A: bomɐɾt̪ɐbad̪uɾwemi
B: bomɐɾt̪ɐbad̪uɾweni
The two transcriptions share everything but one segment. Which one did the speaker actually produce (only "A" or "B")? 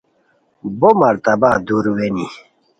B